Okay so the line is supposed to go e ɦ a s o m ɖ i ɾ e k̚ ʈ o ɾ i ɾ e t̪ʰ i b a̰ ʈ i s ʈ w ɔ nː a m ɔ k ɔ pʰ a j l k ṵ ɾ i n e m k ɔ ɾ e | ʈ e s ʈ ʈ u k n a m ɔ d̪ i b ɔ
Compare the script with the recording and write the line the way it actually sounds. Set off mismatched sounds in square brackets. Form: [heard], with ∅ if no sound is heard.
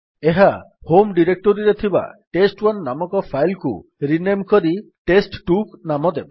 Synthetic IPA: e ɦ a [h] o m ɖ i ɾ e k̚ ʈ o ɾ i ɾ e t̪ʰ i b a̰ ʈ [e] s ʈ w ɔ nː a m ɔ k ɔ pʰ a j l k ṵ ɾ i n e m k ɔ ɾ [i] | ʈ e s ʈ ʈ u k n a m ɔ d̪ [e] b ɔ